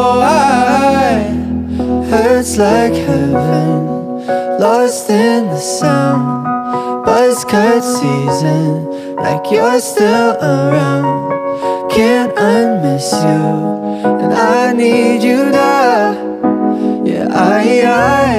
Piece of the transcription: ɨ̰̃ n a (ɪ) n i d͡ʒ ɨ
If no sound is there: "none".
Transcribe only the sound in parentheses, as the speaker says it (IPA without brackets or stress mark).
ɪ